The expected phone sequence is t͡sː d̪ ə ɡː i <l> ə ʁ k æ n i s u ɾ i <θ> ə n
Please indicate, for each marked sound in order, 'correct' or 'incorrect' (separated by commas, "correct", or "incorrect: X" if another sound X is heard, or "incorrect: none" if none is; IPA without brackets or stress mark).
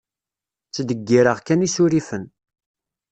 incorrect: ɾ, incorrect: f